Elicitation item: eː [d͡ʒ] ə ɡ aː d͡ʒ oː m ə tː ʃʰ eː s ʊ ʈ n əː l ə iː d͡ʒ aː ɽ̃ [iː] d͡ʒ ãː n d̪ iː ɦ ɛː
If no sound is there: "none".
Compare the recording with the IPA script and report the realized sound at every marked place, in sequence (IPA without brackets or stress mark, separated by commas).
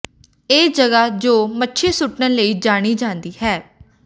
d͡ʒ, iː